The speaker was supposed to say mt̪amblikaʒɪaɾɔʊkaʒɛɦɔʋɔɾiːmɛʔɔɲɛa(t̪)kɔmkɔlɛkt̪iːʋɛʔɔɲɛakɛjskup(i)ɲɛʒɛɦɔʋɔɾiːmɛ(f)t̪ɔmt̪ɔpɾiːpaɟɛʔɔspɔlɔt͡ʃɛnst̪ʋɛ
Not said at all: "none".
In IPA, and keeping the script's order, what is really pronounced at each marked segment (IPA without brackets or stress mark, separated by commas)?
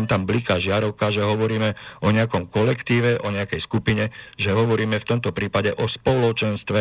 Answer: none, i, f